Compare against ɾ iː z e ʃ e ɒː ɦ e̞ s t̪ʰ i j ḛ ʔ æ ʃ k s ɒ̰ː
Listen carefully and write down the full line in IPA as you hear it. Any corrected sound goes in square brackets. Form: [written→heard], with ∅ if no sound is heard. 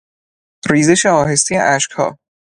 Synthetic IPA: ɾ iː z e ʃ e ɒː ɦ e̞ s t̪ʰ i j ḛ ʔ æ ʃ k [s→h] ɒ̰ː